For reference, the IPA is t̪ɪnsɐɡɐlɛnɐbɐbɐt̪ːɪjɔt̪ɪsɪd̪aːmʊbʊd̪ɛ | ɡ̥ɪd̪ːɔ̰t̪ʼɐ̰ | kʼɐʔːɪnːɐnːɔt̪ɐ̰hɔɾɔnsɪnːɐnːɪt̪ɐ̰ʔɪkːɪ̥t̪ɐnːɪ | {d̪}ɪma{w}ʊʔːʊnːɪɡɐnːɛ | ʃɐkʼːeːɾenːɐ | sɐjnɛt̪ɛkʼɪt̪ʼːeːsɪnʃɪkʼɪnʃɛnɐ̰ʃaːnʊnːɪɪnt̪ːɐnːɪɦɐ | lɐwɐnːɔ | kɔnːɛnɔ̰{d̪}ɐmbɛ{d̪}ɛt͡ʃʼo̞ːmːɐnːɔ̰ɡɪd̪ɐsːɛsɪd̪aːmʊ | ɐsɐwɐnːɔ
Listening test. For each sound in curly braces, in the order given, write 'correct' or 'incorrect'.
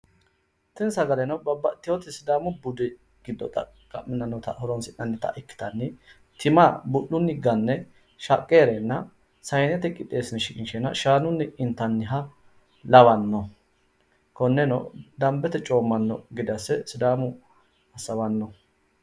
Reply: incorrect, incorrect, correct, incorrect

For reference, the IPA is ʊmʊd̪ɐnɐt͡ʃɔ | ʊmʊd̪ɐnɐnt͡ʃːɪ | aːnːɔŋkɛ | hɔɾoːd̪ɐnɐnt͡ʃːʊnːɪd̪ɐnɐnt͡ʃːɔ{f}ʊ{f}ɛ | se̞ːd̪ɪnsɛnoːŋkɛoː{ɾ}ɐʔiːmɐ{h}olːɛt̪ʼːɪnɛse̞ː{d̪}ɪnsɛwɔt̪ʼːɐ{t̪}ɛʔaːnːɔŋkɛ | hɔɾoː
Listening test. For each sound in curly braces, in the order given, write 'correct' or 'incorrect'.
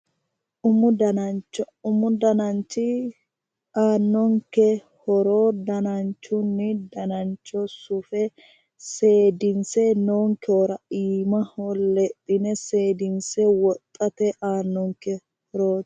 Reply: incorrect, correct, correct, correct, correct, correct

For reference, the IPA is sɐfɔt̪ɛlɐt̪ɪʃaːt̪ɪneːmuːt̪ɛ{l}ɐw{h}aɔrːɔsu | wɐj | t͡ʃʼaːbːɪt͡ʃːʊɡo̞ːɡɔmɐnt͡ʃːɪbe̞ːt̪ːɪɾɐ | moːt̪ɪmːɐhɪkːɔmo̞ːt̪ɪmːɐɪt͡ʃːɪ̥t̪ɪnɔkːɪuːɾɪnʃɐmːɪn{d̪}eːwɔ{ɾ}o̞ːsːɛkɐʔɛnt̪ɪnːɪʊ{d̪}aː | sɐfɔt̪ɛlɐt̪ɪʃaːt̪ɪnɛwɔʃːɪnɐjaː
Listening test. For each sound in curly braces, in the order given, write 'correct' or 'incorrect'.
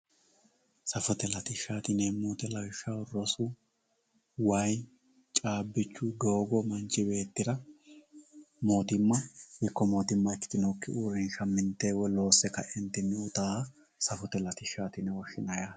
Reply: correct, incorrect, incorrect, incorrect, incorrect

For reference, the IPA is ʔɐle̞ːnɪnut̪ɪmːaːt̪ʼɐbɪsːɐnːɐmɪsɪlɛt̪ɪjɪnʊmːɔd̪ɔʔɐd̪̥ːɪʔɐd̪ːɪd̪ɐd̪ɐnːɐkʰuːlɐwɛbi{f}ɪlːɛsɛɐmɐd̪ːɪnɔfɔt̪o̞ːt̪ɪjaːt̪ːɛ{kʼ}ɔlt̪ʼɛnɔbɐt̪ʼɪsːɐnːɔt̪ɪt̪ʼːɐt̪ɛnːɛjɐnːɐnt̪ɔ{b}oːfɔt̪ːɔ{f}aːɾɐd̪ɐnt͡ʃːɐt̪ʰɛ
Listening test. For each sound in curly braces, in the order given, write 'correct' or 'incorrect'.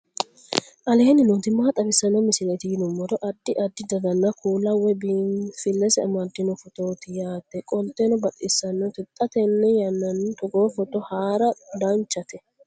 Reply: correct, correct, incorrect, incorrect

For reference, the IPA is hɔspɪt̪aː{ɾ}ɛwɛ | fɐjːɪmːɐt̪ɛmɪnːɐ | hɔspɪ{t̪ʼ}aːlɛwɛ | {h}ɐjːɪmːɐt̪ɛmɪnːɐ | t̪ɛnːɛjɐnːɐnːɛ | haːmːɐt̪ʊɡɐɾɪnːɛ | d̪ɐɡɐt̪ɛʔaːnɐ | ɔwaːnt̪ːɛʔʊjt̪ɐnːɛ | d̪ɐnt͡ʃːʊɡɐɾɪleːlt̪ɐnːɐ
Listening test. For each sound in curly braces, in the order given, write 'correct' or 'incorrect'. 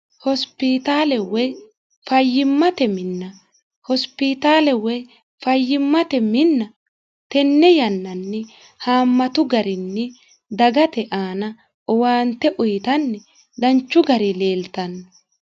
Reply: incorrect, incorrect, incorrect

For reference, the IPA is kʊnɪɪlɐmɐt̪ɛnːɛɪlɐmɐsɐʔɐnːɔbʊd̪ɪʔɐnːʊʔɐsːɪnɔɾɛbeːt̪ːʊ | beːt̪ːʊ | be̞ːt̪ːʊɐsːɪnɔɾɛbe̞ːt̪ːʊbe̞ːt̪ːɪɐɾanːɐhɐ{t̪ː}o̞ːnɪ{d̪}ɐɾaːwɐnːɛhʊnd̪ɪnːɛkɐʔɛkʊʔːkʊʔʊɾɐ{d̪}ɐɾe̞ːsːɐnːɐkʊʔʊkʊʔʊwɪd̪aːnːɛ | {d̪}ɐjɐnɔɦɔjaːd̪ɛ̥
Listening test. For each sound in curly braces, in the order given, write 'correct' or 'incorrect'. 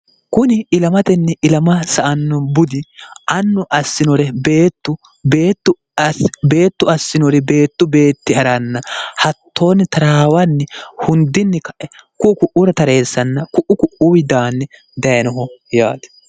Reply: correct, incorrect, incorrect, correct

